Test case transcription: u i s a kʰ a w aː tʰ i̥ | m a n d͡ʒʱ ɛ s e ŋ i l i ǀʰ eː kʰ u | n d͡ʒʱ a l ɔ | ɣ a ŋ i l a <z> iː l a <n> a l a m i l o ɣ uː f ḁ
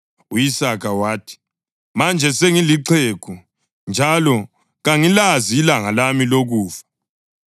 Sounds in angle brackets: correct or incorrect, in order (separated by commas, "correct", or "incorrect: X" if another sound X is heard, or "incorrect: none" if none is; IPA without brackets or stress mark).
correct, incorrect: ŋ